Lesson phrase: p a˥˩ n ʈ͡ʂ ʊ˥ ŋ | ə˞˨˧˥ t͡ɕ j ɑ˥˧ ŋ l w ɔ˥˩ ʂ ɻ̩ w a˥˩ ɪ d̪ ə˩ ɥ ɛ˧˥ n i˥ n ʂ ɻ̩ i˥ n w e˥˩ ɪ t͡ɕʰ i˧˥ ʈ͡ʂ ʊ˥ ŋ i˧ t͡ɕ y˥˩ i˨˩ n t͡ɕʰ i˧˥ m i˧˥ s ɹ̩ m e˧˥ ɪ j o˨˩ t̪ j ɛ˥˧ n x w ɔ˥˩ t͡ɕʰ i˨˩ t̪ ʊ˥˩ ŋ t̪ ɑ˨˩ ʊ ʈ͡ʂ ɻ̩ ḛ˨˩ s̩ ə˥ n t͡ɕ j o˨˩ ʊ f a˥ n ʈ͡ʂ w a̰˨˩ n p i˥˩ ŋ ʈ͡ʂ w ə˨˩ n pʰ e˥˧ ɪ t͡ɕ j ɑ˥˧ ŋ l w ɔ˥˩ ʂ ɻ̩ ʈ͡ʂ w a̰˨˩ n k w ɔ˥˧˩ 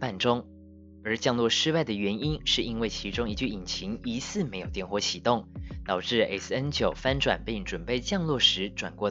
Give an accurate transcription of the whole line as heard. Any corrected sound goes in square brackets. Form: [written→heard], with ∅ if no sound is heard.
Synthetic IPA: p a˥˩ n ʈ͡ʂ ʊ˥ ŋ | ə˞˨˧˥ t͡ɕ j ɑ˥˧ ŋ l w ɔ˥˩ ʂ ɻ̩ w a˥˩ ɪ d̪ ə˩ ɥ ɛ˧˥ n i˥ n ʂ ɻ̩ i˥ n w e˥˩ ɪ t͡ɕʰ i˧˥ ʈ͡ʂ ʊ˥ ŋ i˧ t͡ɕ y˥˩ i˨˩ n t͡ɕʰ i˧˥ [m→ŋ] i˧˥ s ɹ̩ m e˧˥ ɪ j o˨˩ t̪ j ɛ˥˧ n x w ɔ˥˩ t͡ɕʰ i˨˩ t̪ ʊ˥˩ ŋ t̪ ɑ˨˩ ʊ ʈ͡ʂ ɻ̩ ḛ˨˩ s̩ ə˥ n t͡ɕ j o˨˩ ʊ f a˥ n ʈ͡ʂ w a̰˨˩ n p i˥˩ ŋ ʈ͡ʂ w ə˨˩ n [pʰ→p] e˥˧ ɪ t͡ɕ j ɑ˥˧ ŋ l w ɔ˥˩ ʂ ɻ̩ ʈ͡ʂ w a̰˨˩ n k w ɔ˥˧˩